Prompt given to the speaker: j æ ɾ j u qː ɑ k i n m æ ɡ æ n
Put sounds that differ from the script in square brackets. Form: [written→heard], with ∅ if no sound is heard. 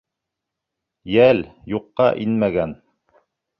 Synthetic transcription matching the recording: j æ [ɾ→l] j u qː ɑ [k→ʔ] i n m æ ɡ æ n